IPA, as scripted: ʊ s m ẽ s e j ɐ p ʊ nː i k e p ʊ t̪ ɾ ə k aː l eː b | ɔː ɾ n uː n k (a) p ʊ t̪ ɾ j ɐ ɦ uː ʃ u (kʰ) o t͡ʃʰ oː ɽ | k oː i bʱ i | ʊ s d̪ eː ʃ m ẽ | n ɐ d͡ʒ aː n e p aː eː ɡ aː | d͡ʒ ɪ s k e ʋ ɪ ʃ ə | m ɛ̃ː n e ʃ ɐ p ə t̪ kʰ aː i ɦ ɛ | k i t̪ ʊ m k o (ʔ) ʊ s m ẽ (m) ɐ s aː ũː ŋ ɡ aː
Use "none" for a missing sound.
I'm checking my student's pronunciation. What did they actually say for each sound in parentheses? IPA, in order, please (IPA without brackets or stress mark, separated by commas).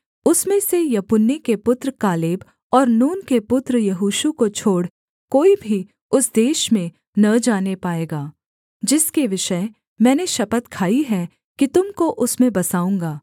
e, k, ʔ, b